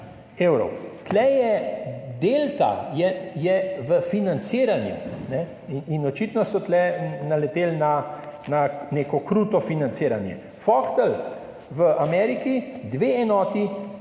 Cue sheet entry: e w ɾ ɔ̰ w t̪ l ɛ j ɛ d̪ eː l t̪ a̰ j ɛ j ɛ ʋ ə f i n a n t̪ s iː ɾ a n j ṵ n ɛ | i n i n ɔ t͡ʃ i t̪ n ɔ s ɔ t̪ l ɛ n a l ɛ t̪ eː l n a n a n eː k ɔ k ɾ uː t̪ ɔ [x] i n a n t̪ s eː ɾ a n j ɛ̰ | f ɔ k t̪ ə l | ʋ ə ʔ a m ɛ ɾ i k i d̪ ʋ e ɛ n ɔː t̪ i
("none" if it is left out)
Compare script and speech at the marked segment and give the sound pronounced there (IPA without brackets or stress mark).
f